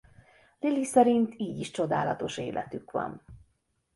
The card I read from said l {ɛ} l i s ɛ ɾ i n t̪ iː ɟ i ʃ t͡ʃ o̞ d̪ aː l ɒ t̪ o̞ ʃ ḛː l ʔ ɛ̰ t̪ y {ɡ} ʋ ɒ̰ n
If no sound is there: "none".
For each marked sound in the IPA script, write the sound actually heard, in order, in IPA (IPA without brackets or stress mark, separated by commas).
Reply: i, k